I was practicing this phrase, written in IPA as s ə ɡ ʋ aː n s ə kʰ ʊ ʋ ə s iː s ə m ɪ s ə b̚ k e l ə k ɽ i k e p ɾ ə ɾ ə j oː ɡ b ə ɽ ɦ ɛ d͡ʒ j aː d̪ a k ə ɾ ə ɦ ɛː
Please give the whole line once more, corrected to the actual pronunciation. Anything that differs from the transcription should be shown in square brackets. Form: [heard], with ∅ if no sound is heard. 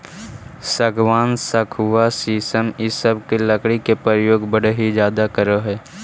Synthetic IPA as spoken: s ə ɡ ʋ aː n s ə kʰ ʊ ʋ [a] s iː s ə m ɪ s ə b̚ k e l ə k ɽ i k e p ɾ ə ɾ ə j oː ɡ b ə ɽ ɦ [i] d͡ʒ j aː d̪ a k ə ɾ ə ɦ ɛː